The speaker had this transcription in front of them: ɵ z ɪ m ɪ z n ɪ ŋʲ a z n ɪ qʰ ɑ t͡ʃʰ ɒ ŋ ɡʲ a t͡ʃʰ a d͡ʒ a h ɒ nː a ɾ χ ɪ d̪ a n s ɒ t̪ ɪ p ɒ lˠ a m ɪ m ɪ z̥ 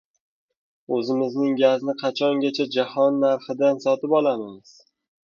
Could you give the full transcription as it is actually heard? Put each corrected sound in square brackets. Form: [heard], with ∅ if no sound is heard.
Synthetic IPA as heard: ɵ z ɪ m ɪ z n ɪ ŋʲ a z n ɪ qʰ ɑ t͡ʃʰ ɒ ŋ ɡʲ a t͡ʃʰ a d͡ʒ a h ɒ nː a ɾ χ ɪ d̪ a n s ɒ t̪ ɪ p ɒ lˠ a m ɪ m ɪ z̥